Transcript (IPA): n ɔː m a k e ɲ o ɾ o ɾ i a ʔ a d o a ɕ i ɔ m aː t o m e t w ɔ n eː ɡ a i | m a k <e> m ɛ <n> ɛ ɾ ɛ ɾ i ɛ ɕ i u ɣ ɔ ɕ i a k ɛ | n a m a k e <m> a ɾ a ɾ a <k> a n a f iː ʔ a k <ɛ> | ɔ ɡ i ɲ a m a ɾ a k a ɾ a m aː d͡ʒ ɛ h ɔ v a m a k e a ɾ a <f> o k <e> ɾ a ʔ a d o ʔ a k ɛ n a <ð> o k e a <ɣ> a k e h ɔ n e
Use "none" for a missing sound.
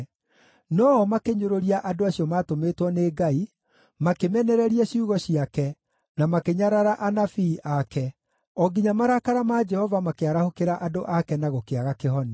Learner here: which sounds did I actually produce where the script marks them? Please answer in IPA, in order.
e, n, ɲ, ʔ, ɛ, h, e, ɣ, ɣ

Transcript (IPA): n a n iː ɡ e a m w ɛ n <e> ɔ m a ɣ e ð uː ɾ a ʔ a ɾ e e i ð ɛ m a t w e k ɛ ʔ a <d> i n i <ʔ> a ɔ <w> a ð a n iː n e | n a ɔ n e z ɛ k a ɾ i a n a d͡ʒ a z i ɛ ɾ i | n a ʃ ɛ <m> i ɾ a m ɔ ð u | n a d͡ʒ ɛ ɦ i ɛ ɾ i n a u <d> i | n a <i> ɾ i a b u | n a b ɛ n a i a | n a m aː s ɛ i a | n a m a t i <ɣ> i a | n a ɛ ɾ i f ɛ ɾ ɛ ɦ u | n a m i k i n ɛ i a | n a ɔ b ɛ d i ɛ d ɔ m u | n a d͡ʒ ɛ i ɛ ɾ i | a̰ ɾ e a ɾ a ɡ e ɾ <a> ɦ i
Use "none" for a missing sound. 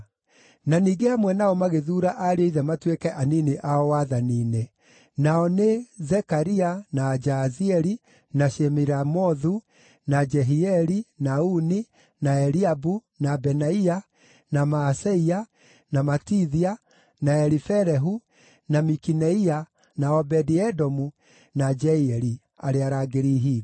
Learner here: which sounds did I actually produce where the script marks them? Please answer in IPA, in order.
a, n, ʔ, w, m, n, ɛ, ð, i

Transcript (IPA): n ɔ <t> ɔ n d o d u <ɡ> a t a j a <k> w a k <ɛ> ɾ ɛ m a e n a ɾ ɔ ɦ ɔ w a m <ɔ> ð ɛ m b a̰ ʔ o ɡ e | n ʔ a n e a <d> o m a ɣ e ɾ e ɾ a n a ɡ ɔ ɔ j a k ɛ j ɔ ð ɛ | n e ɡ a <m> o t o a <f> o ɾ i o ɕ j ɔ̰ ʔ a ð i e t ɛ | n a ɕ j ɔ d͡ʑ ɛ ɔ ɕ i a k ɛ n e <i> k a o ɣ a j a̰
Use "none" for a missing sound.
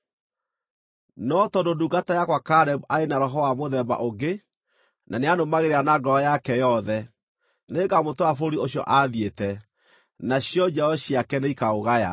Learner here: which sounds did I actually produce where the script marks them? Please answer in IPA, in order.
t, ɡ, k, a, o, n, m, f, i

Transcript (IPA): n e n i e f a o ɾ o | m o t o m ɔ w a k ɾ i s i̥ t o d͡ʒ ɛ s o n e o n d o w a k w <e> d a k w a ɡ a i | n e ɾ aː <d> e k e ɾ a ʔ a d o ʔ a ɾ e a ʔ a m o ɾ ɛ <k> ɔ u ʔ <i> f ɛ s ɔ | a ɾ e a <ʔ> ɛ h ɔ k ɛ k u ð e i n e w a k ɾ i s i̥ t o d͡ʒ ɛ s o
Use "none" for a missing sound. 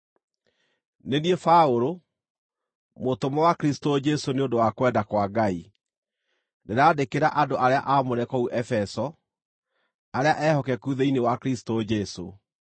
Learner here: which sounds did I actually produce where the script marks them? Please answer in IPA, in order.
ɛ, d, k, ɛ, ʔ

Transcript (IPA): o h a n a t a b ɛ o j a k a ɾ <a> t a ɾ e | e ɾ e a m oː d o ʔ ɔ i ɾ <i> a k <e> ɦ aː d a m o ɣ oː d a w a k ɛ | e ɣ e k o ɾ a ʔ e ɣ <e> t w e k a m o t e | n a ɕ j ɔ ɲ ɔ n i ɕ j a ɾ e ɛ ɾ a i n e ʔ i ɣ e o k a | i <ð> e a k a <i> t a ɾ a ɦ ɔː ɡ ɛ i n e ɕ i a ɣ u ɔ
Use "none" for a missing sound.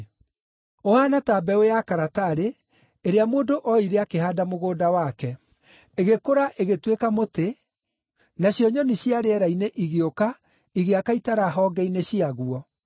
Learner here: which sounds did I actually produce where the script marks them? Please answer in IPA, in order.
a, e, e, e, ɣ, i

